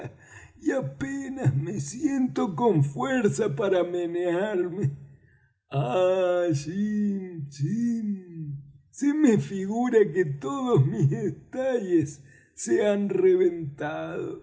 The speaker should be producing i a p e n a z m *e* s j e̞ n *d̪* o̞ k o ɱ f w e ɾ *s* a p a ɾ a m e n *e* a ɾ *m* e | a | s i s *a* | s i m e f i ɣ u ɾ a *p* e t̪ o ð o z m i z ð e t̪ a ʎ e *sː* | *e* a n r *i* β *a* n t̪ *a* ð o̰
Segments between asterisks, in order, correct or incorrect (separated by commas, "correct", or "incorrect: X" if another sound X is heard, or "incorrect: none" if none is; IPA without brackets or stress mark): correct, incorrect: t̪, correct, correct, correct, incorrect: i, incorrect: k, correct, correct, incorrect: e, incorrect: e, correct